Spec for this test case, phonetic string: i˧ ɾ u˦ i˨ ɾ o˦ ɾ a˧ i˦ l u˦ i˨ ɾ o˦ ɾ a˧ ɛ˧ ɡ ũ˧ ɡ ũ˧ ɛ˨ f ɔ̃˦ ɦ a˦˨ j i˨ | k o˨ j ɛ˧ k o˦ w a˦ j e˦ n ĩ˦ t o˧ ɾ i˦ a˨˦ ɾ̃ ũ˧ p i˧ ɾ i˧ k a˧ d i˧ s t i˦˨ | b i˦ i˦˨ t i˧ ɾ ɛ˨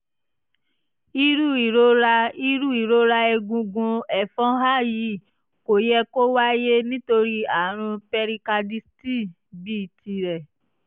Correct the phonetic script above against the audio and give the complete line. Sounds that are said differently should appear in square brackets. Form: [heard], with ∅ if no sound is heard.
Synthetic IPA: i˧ ɾ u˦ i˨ ɾ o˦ ɾ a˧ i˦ [ɾ] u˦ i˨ ɾ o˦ ɾ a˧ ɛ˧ ɡ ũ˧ ɡ ũ˧ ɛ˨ f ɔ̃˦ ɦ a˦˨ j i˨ | k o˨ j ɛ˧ k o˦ w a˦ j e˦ n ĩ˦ t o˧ ɾ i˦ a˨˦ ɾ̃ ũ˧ p [ɛ˧] ɾ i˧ k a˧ d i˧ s t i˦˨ | b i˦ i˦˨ t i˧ ɾ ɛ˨